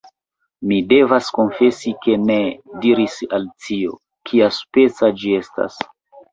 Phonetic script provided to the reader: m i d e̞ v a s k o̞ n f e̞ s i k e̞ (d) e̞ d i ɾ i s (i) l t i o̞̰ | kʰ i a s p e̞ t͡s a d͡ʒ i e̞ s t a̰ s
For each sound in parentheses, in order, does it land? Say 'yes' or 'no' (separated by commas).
no, no